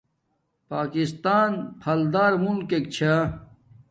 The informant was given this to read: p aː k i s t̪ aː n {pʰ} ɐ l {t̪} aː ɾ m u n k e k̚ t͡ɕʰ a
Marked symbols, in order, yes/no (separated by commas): yes, no